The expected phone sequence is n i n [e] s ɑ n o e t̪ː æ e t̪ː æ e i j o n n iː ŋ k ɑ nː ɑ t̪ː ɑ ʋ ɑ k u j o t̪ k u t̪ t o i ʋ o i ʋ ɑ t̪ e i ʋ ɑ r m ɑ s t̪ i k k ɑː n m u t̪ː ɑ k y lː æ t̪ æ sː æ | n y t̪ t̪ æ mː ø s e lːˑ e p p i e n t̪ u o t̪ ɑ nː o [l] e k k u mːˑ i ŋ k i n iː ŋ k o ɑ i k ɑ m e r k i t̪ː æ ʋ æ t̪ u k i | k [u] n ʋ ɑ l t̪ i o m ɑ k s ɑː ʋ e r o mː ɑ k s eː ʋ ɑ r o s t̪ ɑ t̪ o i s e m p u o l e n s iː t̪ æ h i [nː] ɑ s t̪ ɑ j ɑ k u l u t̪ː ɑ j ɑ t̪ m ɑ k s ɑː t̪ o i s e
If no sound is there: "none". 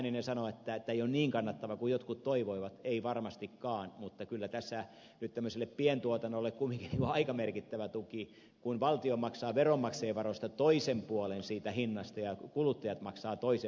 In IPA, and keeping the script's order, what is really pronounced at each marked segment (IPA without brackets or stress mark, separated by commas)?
e, lː, u, nː